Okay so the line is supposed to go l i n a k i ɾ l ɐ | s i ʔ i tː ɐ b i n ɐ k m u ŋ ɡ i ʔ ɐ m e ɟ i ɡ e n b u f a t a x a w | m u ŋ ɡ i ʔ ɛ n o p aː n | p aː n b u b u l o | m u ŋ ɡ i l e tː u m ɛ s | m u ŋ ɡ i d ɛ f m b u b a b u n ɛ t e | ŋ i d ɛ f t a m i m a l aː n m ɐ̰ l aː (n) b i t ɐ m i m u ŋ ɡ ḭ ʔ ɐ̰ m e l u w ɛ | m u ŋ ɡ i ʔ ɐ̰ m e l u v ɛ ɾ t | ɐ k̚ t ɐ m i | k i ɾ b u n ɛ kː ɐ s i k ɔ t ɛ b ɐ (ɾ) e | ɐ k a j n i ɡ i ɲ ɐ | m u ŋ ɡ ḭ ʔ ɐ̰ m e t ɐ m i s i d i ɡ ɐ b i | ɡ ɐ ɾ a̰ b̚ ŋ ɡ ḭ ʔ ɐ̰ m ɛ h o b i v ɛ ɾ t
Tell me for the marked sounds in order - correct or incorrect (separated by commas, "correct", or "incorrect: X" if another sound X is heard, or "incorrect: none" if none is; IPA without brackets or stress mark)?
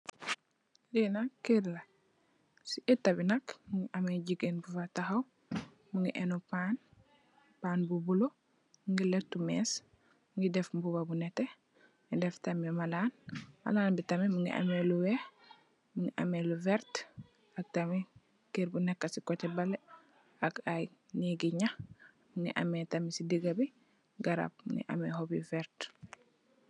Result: correct, incorrect: l